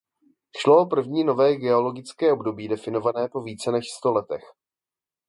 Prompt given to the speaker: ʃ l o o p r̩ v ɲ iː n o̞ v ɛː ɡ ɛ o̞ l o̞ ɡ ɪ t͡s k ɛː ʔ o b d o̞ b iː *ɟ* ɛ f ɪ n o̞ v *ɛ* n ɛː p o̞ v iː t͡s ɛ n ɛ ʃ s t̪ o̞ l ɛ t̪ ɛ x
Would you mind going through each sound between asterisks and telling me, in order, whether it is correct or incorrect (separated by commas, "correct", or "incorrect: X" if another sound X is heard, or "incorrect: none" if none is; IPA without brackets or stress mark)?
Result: incorrect: d, incorrect: a